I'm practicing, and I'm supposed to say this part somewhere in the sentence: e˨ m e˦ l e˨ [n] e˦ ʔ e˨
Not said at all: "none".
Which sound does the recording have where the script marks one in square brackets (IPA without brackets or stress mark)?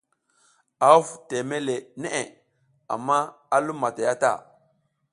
n